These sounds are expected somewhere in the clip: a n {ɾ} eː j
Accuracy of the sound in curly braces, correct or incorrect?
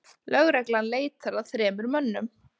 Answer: incorrect: l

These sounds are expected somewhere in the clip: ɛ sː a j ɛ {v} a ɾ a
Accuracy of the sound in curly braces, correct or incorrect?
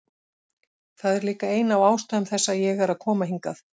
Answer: incorrect: ɣ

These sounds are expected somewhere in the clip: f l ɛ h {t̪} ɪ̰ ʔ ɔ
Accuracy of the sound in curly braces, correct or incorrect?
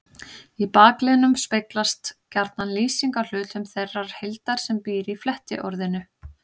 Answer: correct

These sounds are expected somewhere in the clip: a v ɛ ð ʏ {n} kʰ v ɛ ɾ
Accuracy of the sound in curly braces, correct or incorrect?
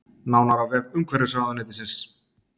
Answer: incorrect: m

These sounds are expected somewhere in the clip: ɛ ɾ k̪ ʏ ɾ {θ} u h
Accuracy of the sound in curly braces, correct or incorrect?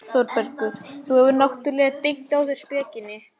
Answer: correct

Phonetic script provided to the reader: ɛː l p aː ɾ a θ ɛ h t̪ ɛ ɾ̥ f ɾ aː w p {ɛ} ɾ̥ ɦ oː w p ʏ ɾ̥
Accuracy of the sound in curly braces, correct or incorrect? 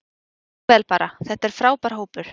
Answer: incorrect: a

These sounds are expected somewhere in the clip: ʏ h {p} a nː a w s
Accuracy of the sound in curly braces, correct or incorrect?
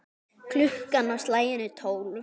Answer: incorrect: k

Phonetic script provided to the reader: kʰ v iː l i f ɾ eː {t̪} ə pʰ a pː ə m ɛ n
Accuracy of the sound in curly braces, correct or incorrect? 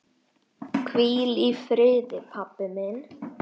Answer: incorrect: d̪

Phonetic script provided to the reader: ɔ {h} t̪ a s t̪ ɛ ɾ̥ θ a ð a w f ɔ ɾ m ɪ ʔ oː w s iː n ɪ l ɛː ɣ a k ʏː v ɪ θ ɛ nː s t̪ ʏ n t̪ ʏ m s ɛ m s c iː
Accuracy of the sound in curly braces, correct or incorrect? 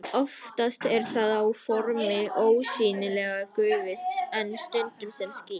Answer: incorrect: f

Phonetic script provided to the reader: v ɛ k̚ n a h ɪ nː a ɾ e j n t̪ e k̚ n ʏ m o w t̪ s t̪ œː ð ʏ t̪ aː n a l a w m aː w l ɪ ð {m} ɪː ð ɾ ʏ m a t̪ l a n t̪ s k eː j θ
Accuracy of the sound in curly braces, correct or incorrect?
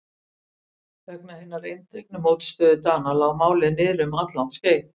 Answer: incorrect: n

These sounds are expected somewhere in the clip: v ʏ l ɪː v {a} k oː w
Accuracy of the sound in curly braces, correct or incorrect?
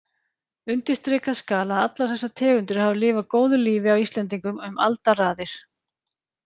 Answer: correct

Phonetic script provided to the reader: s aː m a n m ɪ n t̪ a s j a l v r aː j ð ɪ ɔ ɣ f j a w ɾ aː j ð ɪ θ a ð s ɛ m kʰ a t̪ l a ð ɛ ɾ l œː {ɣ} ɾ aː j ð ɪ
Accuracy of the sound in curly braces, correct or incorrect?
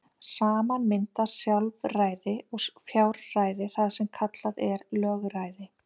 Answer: correct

